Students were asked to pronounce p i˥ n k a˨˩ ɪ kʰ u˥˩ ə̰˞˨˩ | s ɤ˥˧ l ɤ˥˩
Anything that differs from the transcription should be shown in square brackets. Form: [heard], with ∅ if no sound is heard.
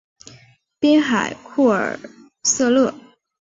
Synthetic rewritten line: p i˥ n [x] a˨˩ ɪ kʰ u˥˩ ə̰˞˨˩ | s ɤ˥˧ l ɤ˥˩